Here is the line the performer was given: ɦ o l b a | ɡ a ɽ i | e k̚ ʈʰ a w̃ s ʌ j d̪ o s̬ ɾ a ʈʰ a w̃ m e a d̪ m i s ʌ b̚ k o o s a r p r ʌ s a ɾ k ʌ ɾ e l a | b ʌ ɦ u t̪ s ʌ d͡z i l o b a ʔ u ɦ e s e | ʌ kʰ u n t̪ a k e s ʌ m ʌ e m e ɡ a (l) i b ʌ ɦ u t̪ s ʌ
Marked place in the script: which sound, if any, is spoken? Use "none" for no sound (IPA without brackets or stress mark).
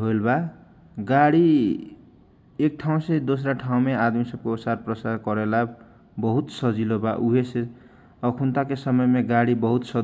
ɽ